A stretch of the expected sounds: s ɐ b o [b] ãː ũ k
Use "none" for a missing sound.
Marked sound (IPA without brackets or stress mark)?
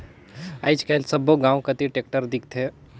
ɡ